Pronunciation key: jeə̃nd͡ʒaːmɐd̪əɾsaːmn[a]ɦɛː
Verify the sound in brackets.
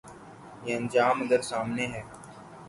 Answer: incorrect: e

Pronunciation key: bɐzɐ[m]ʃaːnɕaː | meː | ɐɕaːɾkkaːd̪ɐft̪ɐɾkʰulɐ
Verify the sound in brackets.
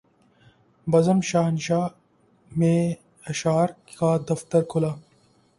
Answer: correct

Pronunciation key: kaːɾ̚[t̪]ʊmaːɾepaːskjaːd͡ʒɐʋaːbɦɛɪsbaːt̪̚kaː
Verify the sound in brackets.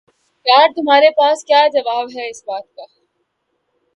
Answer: correct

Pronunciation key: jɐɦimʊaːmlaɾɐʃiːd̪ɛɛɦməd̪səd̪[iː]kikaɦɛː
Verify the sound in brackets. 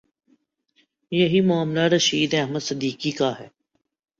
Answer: correct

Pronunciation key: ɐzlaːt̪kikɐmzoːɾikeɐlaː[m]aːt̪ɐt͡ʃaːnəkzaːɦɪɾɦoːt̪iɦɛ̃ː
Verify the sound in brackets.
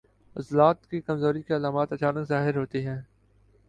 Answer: correct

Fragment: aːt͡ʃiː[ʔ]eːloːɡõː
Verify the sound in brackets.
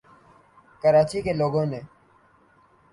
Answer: incorrect: k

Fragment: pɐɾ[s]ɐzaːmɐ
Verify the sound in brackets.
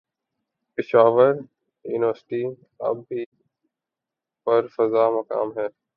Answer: incorrect: f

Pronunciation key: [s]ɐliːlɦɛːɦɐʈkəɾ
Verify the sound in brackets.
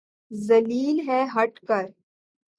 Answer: incorrect: z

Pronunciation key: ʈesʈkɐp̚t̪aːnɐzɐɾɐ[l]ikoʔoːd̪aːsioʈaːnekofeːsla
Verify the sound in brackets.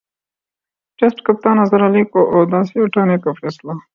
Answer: correct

